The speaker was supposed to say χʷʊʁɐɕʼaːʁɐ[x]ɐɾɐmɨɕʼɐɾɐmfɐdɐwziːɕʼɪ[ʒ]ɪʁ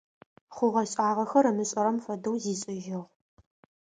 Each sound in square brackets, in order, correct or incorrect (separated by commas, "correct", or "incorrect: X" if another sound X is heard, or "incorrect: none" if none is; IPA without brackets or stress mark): correct, correct